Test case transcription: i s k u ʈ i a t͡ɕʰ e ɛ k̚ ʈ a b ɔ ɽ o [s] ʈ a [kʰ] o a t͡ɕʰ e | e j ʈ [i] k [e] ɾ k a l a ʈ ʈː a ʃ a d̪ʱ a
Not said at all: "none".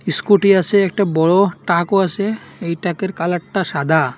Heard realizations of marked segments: none, k, a, e

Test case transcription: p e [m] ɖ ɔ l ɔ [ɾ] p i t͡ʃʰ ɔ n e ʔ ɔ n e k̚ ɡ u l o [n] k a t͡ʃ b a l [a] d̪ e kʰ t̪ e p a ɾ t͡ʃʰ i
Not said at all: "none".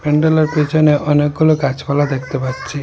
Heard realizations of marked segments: ɳ, ɾ, none, a

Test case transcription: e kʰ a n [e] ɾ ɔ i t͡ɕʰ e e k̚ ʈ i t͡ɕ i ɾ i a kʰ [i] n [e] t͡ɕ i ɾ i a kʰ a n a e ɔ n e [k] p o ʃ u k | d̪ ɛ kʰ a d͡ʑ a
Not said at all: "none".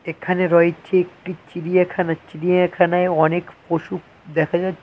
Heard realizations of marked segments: e, a, a, k

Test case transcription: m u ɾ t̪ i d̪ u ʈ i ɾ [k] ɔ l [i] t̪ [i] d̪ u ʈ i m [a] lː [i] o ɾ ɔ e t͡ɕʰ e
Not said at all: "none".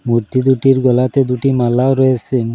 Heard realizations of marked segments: ɡ, a, e, a, a

